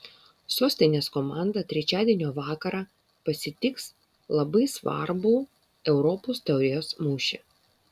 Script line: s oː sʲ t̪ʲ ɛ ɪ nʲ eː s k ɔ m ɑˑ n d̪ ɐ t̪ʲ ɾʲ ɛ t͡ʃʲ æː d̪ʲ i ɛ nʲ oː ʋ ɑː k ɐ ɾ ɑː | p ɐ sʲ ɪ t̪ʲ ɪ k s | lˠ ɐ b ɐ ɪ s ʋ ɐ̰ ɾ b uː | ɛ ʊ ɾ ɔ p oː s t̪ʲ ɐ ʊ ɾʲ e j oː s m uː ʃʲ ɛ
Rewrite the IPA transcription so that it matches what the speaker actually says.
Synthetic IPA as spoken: s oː sʲ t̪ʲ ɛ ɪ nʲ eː s k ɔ m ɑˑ n d̪ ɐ t̪ʲ ɾʲ ɛ t͡ʃʲ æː d̪ʲ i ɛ nʲ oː ʋ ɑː k ɐ ɾ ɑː | p ɐ sʲ ɪ t̪ʲ ɪ k s | lˠ ɐ b ɐ ɪ s ʋ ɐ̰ ɾ b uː | ɛ ʊ ɾ ɔ p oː s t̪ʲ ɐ ʊ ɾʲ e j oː s m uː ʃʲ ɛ